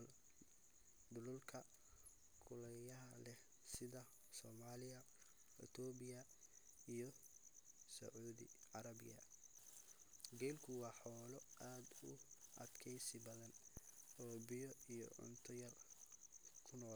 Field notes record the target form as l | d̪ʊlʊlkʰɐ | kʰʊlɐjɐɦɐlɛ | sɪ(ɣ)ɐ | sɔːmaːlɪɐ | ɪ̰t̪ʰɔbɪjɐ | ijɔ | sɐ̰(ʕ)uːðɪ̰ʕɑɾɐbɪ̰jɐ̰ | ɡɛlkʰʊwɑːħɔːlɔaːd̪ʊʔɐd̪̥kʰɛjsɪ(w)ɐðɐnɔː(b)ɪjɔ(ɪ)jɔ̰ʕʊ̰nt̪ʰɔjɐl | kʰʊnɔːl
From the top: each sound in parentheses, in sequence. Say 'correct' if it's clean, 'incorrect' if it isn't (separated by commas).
incorrect, correct, incorrect, correct, incorrect